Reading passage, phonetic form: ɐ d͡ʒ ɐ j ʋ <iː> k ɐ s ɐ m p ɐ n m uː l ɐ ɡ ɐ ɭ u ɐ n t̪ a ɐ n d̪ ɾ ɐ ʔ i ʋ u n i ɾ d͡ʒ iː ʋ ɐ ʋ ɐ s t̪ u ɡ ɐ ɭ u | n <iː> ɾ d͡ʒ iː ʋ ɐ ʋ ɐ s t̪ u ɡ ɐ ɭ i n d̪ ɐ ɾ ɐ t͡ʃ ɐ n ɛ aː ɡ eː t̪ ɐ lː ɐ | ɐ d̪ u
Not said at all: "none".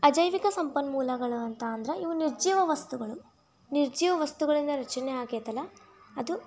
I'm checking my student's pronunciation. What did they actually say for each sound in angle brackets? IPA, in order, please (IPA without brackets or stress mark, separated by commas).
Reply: i, i